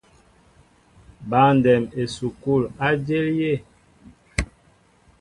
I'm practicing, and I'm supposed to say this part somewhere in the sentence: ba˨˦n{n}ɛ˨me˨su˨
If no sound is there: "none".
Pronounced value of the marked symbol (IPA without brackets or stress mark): d